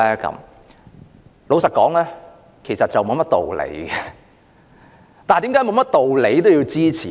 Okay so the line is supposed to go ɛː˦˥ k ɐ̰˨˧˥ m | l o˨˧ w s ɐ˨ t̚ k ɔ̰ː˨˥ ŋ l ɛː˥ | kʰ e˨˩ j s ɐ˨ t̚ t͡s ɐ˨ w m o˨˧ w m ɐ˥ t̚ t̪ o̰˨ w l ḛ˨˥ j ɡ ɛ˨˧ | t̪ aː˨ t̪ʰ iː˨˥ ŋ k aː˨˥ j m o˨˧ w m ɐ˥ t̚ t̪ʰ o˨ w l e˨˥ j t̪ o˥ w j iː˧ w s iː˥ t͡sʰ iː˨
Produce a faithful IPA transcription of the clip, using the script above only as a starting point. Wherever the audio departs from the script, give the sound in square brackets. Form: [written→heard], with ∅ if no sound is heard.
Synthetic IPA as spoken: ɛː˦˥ k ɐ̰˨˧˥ m | l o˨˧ w s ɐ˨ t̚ k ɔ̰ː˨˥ ŋ l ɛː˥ | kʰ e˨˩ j s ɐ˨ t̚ t͡s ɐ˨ w m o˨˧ w m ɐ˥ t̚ t̪ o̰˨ w l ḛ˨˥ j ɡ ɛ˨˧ | t̪ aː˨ [t̪ʰ→t̪] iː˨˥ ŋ k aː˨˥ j m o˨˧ w m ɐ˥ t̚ [t̪ʰ→t̪] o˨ w l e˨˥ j t̪ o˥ w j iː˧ w [s→t͡s] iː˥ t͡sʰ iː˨